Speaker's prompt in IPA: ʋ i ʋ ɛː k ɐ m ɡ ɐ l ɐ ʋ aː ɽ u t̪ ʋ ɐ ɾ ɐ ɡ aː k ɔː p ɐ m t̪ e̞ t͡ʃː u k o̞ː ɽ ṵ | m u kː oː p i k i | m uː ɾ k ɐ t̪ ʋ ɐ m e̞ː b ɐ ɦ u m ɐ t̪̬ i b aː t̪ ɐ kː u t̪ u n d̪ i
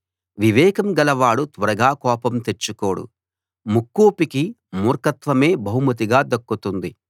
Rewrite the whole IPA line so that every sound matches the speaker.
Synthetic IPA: ʋ i ʋ ɛː k ɐ m ɡ ɐ l ɐ ʋ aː ɽ u t̪ ʋ ɐ ɾ ɐ ɡ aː k ɔː p ɐ m t̪ e̞ t͡ʃː u k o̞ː ɽ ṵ | m u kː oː p i k i | m uː ɾ k ɐ t̪ ʋ ɐ m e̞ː b ɐ ɦ u m ɐ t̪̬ i ɡ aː d̪ ɐ kː u t̪ u n d̪ i